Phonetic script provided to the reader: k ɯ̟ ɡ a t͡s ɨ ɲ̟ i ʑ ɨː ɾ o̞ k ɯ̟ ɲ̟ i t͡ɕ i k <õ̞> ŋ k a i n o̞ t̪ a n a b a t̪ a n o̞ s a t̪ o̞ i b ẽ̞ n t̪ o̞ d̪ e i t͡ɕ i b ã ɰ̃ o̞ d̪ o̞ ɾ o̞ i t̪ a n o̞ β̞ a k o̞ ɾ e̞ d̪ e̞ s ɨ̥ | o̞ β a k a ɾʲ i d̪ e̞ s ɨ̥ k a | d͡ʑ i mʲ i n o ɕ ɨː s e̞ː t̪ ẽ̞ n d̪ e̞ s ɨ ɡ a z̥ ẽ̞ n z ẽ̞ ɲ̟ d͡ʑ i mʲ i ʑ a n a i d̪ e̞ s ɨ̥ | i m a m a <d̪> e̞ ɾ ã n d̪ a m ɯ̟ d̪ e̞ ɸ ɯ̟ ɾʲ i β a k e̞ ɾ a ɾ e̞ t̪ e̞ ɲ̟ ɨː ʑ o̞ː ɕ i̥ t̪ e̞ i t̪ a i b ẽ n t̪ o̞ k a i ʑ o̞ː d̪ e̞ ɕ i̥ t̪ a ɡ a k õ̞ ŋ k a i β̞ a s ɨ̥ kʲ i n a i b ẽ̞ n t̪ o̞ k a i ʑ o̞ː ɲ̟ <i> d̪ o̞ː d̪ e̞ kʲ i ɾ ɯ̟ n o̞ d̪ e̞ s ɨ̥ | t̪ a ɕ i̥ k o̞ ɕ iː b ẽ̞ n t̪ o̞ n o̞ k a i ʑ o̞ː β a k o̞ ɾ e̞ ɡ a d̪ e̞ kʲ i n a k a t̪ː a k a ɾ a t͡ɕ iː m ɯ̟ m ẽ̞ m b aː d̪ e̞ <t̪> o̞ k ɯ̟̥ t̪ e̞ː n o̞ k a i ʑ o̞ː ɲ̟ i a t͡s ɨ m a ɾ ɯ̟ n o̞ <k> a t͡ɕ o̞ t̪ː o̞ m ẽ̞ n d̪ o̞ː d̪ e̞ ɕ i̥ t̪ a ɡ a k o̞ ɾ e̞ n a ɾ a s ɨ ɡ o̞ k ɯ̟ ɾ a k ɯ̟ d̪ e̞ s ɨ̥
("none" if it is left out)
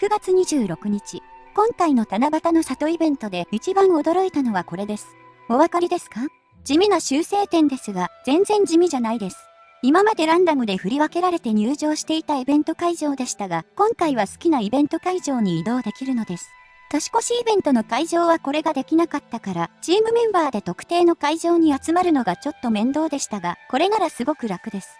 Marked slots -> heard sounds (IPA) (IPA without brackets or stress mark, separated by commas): õ̞, d̪, iː, t̪, ɡ